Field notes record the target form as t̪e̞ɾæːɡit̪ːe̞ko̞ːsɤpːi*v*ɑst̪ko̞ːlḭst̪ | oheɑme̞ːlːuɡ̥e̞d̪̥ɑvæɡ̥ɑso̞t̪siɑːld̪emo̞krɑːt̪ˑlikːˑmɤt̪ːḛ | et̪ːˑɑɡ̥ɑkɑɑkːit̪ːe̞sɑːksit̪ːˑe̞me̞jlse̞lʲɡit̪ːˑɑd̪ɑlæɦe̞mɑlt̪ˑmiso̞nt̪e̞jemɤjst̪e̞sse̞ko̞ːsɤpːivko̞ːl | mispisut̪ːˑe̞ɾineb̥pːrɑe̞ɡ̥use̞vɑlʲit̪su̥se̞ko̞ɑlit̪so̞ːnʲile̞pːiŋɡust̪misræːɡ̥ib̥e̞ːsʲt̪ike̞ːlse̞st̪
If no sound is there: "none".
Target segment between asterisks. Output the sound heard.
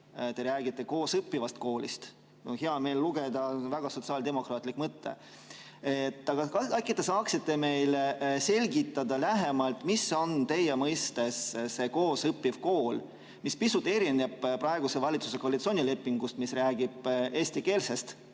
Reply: v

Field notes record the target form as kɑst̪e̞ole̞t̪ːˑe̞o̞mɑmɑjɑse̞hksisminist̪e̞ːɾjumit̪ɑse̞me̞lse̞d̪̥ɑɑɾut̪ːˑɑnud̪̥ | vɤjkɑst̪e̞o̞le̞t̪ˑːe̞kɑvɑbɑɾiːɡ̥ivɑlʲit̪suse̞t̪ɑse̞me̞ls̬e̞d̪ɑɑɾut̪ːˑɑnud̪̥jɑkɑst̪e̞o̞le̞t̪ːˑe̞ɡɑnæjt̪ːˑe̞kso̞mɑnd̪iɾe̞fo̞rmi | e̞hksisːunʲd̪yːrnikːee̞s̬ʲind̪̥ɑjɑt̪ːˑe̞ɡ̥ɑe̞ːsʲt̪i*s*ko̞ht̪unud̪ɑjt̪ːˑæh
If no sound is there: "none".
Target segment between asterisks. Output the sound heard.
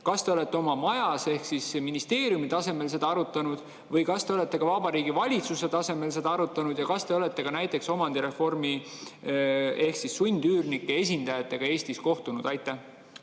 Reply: s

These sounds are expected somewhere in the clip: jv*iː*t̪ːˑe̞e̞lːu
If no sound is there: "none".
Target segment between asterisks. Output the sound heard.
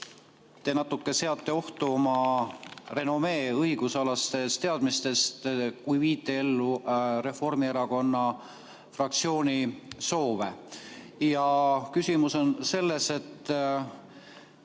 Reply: iː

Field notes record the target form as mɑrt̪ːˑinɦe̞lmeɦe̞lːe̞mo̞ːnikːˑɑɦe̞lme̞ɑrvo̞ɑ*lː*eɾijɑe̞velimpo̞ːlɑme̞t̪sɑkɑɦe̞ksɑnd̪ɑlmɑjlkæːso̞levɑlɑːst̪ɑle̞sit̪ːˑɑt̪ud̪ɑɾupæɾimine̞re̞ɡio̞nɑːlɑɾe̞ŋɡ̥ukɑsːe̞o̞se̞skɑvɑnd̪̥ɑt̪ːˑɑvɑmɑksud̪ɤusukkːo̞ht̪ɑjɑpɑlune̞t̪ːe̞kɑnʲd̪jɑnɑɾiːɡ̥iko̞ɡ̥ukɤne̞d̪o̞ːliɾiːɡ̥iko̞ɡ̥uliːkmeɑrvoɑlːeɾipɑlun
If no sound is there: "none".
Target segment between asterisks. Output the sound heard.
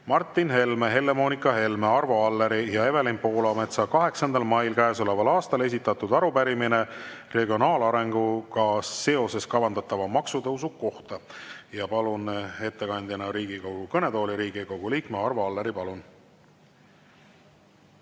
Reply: lː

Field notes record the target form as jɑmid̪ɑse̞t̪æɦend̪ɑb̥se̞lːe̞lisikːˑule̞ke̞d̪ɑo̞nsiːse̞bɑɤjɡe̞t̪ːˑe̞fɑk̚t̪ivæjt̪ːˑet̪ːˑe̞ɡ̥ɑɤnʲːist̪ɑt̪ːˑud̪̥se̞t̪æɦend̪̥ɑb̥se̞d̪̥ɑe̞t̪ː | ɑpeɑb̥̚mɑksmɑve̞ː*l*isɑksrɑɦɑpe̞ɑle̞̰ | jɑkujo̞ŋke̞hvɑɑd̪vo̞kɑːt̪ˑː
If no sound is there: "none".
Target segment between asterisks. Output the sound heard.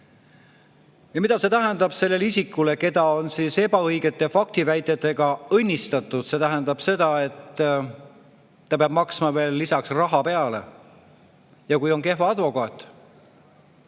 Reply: lː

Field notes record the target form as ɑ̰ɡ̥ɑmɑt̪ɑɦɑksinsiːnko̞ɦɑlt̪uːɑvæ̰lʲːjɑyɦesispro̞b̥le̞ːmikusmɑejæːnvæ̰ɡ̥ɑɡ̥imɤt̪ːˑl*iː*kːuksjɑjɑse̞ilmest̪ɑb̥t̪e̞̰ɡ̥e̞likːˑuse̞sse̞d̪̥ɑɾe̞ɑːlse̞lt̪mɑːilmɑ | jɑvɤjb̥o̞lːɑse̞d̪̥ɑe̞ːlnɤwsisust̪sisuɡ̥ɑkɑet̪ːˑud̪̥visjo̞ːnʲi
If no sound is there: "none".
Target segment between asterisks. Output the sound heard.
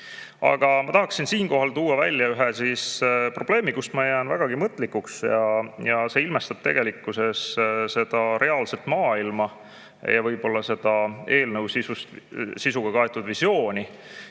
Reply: i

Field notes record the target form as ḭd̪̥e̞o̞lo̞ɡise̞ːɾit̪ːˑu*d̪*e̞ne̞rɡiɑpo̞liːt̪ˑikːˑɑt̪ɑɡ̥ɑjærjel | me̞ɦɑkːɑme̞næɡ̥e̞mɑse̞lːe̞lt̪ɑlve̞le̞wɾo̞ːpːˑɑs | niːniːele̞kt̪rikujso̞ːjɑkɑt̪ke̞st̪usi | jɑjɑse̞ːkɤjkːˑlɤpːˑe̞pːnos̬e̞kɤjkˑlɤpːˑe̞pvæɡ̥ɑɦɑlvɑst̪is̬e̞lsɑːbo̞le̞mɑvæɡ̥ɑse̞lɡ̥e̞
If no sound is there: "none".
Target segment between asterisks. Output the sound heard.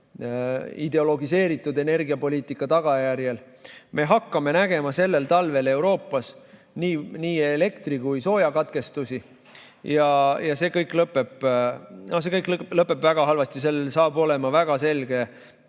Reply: d̪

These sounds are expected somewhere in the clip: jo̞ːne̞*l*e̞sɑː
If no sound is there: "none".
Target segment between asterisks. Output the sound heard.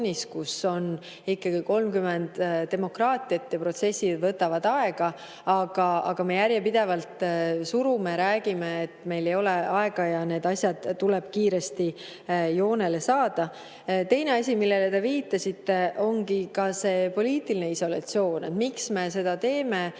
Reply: l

